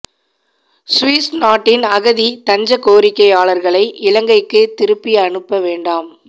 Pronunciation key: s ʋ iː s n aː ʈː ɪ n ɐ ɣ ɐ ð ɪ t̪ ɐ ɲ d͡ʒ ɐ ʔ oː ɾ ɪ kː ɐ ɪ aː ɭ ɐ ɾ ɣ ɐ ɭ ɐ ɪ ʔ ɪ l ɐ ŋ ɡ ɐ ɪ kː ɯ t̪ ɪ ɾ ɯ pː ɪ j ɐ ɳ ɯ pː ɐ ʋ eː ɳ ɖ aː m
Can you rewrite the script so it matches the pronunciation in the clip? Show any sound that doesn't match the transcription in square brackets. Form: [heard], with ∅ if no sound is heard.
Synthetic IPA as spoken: s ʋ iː s n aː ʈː ɪ n ɐ ɣ ɐ ð [i] t̪ ɐ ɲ d͡ʒ ɐ [k] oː ɾ ɪ kː ɐ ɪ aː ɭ ɐ ɾ ɣ ɐ ɭ ɐ ɪ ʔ ɪ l ɐ ŋ ɡ ɐ ɪ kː ɯ t̪ ɪ ɾ ɯ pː ɪ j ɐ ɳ ɯ pː ɐ ʋ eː ɳ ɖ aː m